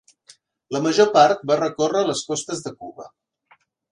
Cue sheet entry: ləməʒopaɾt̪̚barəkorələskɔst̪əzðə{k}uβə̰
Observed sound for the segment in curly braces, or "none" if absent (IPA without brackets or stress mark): k